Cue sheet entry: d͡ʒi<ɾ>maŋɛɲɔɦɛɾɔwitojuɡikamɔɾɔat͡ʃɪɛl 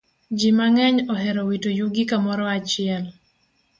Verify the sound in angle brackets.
incorrect: none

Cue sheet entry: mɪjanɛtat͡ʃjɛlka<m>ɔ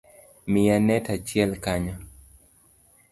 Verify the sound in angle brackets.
incorrect: ɲ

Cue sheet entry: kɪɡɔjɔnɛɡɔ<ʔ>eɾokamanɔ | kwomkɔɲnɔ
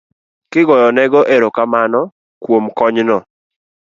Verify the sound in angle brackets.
correct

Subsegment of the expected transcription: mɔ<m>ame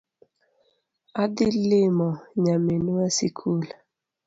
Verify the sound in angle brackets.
incorrect: ɲ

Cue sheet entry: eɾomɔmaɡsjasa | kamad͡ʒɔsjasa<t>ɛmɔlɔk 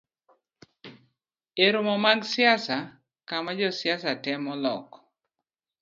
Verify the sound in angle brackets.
correct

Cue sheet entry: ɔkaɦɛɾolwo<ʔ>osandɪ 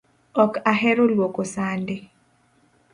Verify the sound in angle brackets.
incorrect: k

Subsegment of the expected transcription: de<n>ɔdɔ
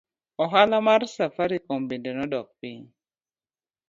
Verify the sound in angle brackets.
correct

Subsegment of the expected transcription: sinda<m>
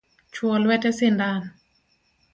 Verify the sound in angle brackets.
incorrect: n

